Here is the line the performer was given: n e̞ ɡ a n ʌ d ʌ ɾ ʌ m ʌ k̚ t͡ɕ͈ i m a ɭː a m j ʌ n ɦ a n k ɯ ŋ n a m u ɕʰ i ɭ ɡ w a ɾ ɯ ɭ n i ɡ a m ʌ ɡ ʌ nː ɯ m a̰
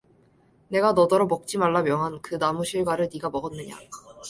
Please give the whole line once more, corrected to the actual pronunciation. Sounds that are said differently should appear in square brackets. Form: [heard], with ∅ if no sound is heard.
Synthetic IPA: n e̞ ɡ a n ʌ d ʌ ɾ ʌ m ʌ k̚ t͡ɕ͈ i m a ɭː a m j ʌ [ŋ] ɦ a n k ɯ [∅] n a m u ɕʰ i ɭ ɡ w a ɾ ɯ ɭ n i ɡ a m ʌ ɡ ʌ nː ɯ [ɲ] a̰